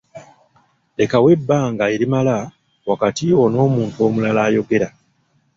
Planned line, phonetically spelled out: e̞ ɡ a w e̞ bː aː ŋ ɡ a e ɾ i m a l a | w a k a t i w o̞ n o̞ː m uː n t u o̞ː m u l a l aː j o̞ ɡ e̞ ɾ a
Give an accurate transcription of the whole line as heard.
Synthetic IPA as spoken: e̞ k a w e̞ bː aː ŋ ɡ a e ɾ i m a l a | w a k a t i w o̞ n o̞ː m uː n t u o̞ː m u l a l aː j o̞ ɡ e̞ ɾ a